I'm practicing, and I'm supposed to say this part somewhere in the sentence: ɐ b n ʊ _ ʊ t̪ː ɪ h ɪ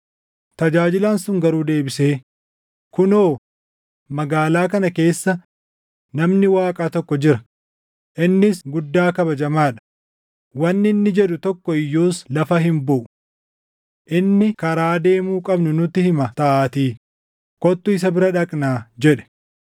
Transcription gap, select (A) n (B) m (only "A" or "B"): A